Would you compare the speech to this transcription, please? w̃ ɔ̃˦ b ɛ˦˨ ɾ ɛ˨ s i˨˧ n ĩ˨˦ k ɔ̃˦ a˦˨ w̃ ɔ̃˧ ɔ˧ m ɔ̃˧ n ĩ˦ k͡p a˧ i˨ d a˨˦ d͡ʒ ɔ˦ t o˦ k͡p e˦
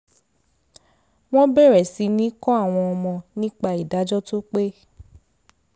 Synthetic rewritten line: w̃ ɔ̃˦ b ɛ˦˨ ɾ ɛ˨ s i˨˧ n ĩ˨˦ k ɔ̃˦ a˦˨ w̃ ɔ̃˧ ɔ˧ m ɔ̃˧ n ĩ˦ k͡p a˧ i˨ d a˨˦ d͡ʒ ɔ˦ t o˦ k͡p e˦

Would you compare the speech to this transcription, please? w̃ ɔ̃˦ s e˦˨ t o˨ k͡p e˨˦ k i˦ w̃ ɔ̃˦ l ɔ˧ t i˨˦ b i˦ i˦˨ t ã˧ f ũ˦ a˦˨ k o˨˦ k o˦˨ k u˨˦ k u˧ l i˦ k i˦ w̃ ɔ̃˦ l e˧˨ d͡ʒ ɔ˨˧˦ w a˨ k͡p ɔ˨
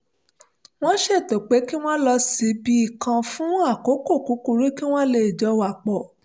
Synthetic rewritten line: w̃ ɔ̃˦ ʃ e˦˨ t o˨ k͡p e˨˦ k i˦ w̃ ɔ̃˦ l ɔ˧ s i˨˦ b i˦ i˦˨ k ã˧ f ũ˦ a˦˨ k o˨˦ k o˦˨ k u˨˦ k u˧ ɾ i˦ k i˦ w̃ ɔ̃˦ l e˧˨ d͡ʒ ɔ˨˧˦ w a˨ k͡p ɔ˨

